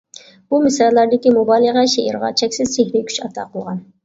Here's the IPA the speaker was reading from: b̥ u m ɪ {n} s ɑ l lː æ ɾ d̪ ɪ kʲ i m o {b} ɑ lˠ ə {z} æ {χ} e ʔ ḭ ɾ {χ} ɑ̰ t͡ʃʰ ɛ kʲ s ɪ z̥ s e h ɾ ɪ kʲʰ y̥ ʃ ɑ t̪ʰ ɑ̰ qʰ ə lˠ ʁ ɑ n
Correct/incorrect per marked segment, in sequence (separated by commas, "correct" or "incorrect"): incorrect, correct, incorrect, incorrect, incorrect